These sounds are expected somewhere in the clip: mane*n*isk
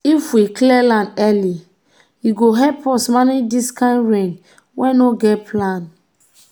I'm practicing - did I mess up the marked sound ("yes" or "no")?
yes